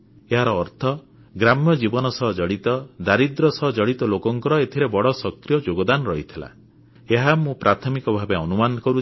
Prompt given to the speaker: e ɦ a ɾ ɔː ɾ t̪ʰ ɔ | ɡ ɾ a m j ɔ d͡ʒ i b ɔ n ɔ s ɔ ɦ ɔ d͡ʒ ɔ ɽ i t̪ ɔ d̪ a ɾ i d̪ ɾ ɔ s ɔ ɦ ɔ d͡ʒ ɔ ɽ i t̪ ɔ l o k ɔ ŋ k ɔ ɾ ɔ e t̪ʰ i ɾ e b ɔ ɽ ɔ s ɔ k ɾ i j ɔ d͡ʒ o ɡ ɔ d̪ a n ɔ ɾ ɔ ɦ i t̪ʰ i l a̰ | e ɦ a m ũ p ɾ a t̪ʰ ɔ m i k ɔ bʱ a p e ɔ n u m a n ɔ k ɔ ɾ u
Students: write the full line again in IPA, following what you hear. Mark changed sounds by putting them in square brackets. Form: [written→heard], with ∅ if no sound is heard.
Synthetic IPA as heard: e ɦ a ɾ ɔː ɾ t̪ʰ ɔ | ɡ ɾ a m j ɔ d͡ʒ i b ɔ n ɔ s ɔ ɦ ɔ d͡ʒ ɔ ɽ i t̪ ɔ d̪ a ɾ i d̪ ɾ ɔ s ɔ ɦ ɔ d͡ʒ ɔ ɽ i t̪ ɔ l o k ɔ ŋ k ɔ ɾ ɔ e t̪ʰ i ɾ e b ɔ ɽ ɔ s ɔ k ɾ i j ɔ d͡ʒ o ɡ ɔ d̪ a n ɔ ɾ ɔ ɦ i t̪ʰ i l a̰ | e ɦ a m ũ p ɾ a t̪ʰ ɔ m i k ɔ bʱ a [p→b] e ɔ n u m a n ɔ k ɔ ɾ u